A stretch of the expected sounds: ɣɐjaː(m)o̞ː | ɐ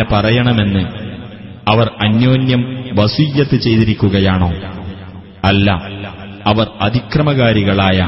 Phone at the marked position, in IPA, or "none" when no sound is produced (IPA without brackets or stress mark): ɳ